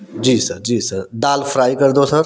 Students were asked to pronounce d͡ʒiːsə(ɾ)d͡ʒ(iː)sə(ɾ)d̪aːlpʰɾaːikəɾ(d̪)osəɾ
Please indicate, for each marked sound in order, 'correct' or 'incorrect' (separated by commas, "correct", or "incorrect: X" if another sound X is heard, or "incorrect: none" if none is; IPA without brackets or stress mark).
correct, correct, correct, correct